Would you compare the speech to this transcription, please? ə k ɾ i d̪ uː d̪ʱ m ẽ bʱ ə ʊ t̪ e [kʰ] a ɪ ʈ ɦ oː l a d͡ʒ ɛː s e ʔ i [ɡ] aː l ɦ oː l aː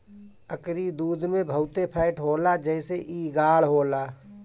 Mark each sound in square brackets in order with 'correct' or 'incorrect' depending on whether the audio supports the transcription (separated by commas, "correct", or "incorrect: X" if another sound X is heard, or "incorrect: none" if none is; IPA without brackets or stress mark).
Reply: incorrect: pʰ, correct